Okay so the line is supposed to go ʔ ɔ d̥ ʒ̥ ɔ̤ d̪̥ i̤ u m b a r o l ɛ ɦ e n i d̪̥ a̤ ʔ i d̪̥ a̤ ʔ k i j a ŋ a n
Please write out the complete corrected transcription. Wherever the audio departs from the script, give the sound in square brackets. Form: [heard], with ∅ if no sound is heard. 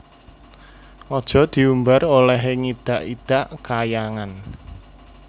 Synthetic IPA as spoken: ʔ ɔ d̥ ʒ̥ ɔ̤ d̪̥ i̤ u m b a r o l ɛ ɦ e [ŋ] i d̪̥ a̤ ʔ i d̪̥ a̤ ʔ k [a] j a ŋ a n